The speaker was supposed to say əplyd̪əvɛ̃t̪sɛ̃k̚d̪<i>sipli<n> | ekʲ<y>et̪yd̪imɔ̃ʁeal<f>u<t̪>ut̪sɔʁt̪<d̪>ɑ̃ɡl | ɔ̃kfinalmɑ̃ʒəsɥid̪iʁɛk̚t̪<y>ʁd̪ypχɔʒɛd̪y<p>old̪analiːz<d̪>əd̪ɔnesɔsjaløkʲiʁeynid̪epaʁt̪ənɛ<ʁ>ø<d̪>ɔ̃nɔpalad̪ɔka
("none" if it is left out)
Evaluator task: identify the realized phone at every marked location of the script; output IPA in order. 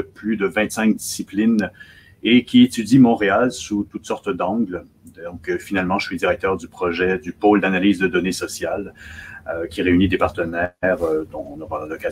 i, n, i, s, t̪, d̪, œ, p, d̪, ʁ, d̪

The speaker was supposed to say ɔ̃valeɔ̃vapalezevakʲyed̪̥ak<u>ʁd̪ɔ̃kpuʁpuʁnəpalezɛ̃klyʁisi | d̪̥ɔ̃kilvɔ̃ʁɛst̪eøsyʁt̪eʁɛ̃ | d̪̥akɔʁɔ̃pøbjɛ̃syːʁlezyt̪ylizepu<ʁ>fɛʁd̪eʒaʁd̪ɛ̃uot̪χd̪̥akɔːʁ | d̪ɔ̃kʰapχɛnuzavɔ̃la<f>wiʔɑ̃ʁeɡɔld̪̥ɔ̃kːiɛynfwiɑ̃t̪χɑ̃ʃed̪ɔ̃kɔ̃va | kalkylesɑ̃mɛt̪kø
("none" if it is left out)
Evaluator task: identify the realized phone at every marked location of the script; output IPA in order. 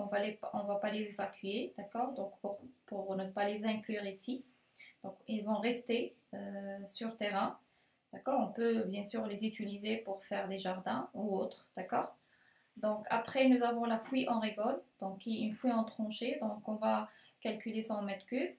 ɔ, ʁ, f

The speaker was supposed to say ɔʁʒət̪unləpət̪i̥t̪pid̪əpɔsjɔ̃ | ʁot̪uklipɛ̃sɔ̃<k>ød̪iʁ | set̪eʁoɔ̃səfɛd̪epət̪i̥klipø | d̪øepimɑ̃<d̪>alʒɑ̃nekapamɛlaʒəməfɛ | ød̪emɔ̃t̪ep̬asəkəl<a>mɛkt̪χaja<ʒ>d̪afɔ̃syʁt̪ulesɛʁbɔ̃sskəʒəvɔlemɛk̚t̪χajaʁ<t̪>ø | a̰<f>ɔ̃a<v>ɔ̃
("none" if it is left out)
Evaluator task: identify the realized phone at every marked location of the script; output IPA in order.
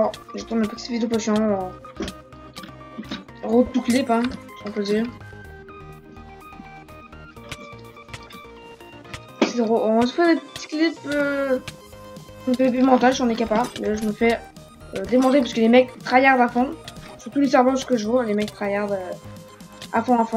p, t̪, e, ʁ, d̪, f, f

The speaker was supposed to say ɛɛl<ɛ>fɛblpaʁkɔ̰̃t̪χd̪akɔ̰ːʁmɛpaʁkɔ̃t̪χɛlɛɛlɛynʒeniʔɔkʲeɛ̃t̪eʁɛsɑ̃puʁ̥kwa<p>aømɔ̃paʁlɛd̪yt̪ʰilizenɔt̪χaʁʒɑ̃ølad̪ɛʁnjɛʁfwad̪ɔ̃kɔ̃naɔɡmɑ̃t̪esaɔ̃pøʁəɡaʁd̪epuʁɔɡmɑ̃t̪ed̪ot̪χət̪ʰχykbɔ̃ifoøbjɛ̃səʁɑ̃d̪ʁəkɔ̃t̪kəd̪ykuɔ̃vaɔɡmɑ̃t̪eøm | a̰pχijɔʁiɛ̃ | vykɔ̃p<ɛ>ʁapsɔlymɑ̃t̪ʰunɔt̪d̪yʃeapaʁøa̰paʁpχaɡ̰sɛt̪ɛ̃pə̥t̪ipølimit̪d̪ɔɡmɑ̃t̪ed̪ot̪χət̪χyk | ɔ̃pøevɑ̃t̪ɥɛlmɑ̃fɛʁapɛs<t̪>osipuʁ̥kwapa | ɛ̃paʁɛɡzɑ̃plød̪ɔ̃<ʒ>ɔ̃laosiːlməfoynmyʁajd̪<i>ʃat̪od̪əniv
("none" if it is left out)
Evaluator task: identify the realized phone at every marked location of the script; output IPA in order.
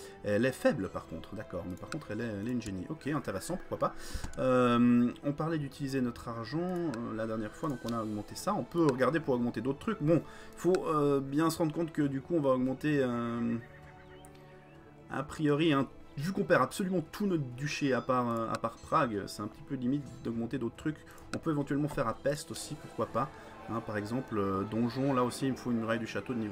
ɛ, p, ɛ, t̪, ʒ, y

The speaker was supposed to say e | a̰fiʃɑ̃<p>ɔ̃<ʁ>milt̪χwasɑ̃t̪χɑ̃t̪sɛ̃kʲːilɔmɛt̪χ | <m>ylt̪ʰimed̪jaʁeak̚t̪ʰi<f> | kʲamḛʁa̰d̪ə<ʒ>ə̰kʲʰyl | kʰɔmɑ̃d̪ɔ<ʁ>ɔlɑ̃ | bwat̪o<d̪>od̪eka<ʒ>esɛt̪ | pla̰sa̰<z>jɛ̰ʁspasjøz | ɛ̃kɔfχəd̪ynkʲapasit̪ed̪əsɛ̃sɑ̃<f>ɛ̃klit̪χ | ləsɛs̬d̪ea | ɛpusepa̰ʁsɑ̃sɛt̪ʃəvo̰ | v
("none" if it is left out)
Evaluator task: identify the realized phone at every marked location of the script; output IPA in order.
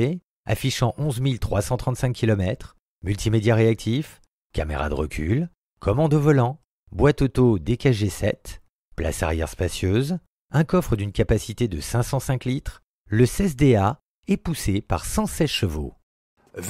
ʔ, z, m, f, ʁ, v, t̪, ʒ, ʁ, s

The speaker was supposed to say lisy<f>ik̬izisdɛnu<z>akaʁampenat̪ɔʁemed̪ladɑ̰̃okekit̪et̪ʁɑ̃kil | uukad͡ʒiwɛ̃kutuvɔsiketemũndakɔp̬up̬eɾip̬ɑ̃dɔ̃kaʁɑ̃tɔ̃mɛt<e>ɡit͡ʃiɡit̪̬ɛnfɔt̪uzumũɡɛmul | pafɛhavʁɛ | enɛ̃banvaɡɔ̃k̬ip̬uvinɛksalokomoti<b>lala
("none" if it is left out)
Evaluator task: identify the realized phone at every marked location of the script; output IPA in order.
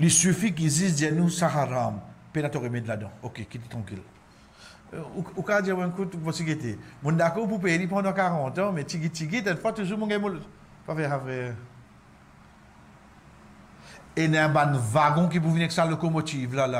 f, s, i, v

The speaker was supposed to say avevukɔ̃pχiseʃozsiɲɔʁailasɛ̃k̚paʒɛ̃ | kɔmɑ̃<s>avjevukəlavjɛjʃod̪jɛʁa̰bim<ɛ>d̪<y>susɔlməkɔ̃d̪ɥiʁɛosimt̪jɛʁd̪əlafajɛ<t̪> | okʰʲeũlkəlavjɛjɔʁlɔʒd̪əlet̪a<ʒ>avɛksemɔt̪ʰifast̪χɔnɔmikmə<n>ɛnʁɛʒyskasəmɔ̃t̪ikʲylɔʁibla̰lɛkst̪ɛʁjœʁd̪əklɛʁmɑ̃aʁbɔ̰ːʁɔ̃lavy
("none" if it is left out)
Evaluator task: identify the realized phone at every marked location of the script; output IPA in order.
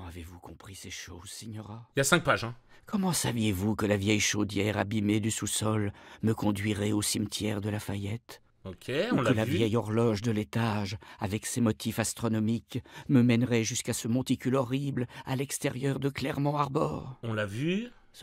s, e, y, t̪, ʒ, m

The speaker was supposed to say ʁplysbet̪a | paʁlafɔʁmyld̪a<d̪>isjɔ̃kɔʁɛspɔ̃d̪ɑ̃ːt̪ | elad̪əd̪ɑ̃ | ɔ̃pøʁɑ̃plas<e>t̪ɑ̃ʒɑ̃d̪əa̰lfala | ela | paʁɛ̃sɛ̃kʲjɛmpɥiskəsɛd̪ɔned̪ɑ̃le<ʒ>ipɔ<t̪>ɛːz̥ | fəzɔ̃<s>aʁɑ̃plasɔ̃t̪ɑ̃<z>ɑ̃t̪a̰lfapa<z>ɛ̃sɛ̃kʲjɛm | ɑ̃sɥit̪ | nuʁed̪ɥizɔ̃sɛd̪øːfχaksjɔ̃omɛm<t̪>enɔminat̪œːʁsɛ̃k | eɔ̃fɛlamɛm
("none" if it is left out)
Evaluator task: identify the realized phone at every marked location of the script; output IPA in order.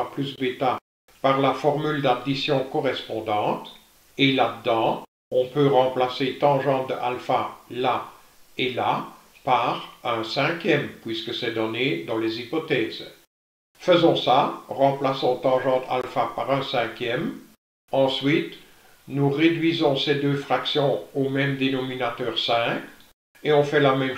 d̪, e, z, t̪, s, ʒ, ʁ, d̪

